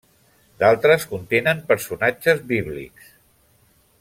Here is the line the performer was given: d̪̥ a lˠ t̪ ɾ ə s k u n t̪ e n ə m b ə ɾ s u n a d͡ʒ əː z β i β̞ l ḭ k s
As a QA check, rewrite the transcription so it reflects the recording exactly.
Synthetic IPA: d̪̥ a lˠ t̪ ɾ ə s k u n t̪ e n ə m p ə ɾ s u n a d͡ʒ ə z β i β̞ l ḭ k s